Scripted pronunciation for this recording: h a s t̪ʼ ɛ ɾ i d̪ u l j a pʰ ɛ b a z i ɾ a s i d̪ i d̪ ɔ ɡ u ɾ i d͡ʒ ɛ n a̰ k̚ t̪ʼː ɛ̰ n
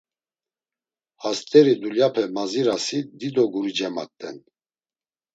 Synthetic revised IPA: h a s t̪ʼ ɛ ɾ i d̪ u l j a pʰ ɛ m a z i ɾ a s i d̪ i d̪ ɔ ɡ u ɾ i d͡ʒ ɛ m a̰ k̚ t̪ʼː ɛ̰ n